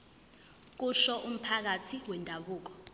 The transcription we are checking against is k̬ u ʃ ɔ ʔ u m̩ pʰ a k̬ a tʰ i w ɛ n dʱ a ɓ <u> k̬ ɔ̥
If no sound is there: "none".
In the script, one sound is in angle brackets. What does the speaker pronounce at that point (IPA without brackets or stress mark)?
uː